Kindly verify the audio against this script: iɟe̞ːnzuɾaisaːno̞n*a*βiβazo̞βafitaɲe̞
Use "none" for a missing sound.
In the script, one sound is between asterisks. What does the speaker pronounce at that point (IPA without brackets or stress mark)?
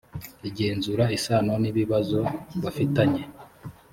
i